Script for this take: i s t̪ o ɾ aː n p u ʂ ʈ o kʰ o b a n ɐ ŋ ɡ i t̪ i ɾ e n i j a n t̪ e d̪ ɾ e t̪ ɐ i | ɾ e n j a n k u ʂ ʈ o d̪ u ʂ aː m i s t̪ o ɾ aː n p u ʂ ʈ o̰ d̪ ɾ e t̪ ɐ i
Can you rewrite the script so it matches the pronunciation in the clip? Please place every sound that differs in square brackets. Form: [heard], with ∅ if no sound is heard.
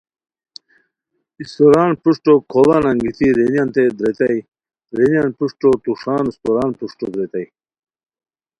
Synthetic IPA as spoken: i s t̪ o ɾ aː n p u ʂ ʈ o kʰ o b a n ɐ ŋ ɡ i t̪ i ɾ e n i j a n t̪ e d̪ ɾ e t̪ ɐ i | ɾ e n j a n [p] u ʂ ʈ o [t̪] u ʂ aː [n] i s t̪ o ɾ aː n p u ʂ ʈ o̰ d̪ ɾ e t̪ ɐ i